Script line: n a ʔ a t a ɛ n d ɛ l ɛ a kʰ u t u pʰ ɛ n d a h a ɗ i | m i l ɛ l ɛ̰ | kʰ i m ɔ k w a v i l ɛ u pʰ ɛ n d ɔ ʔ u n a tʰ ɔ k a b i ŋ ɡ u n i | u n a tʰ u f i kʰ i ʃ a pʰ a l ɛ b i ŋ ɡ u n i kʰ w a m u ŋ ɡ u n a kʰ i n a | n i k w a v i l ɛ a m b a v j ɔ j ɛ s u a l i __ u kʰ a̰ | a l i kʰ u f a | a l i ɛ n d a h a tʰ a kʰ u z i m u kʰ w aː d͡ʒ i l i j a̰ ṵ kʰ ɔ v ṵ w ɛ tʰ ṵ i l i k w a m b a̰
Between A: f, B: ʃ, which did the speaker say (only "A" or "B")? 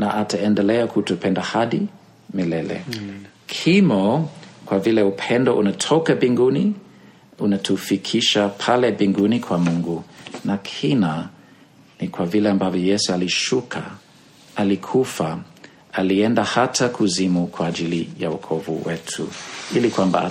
B